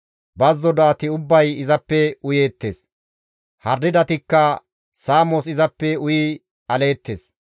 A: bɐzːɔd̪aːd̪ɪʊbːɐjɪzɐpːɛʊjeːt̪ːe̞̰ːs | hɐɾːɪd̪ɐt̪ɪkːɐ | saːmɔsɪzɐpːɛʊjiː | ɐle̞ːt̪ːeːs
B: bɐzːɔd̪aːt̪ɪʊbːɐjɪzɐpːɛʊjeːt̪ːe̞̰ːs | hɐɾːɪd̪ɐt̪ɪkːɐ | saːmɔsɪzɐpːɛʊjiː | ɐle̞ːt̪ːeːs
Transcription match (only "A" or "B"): B